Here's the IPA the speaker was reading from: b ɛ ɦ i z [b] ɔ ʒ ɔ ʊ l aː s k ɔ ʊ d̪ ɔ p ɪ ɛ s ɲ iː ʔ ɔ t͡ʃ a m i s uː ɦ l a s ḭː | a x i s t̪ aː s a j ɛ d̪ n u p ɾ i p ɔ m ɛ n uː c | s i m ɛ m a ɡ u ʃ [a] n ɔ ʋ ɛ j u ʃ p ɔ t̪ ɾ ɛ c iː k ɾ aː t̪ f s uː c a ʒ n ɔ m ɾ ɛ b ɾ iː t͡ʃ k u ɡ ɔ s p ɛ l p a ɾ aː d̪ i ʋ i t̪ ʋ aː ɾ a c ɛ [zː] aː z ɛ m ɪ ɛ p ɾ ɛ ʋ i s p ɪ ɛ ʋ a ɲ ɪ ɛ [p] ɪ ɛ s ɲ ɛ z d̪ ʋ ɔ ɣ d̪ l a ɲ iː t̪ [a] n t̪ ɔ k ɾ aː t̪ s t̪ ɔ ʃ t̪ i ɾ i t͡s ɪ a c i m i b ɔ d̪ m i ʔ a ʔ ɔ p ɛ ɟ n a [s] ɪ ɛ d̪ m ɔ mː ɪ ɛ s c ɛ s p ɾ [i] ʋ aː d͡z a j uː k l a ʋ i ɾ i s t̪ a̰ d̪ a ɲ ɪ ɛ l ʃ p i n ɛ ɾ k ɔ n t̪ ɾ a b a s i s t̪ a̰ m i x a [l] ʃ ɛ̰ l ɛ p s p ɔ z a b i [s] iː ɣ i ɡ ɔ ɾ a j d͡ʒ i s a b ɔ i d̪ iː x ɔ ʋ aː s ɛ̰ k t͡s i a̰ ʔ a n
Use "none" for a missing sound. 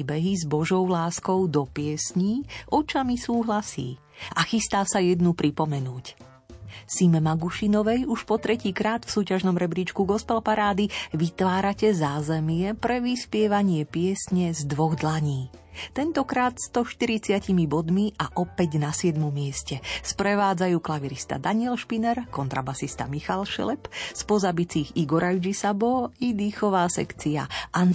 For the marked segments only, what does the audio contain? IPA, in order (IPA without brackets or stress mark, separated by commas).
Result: b, i, z, p, ɛ, s, ɛ, l, t͡s